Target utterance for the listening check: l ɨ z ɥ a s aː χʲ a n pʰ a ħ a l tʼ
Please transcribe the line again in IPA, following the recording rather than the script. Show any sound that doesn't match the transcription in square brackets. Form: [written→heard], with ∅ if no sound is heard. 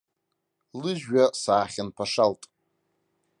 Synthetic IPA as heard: l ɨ [z→ʒ] ɥ a s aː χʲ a n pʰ a [ħ→ʂ] a l tʼ